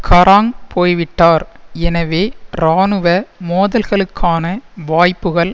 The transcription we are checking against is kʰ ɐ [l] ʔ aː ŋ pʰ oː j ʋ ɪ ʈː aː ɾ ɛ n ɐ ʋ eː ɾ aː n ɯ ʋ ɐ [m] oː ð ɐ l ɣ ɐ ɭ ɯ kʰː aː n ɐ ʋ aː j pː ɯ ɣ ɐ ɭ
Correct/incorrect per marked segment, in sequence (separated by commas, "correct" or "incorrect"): incorrect, correct